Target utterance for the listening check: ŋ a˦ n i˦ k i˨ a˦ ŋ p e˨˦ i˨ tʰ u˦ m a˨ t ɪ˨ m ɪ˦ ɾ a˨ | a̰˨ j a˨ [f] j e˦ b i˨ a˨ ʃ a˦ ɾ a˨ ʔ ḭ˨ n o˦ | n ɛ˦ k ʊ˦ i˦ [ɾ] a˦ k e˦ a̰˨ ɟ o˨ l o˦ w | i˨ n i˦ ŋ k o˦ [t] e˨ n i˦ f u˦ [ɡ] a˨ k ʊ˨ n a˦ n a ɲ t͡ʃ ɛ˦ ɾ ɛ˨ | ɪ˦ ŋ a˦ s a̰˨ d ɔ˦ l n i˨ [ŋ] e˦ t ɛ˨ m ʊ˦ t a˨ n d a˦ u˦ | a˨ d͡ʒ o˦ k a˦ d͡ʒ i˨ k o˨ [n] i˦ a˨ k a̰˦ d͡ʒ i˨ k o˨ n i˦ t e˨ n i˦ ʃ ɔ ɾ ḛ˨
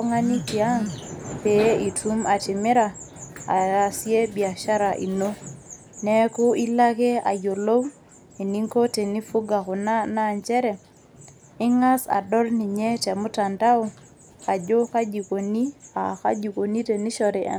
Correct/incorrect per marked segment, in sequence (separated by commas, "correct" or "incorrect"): incorrect, incorrect, correct, correct, incorrect, correct